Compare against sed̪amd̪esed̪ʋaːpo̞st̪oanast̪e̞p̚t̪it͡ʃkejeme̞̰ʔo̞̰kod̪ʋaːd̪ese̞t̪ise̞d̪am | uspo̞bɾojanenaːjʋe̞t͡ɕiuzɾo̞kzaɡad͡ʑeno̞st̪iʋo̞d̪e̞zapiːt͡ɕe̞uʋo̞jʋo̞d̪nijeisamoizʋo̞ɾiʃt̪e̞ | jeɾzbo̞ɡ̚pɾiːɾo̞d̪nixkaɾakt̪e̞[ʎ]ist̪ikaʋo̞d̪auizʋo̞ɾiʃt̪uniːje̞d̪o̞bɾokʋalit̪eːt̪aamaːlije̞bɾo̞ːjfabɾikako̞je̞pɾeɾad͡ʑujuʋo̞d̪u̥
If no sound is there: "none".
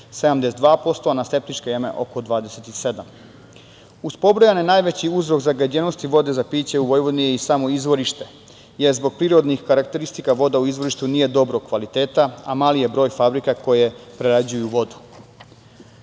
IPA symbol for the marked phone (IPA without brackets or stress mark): ɾ